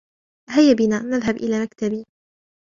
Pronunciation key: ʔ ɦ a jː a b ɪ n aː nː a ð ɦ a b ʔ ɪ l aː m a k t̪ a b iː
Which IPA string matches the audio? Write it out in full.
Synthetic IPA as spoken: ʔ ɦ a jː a b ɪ n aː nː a ð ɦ a b ʔ ɪ l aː m a k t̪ a b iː